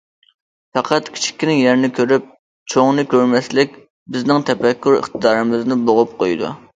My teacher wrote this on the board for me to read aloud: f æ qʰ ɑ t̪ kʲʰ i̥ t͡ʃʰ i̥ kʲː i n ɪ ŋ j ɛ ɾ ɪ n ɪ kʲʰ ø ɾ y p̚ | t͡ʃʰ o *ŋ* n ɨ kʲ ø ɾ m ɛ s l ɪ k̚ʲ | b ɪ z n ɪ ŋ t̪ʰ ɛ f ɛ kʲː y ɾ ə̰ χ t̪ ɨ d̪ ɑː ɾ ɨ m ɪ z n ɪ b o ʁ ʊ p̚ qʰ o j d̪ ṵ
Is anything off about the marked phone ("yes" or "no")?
no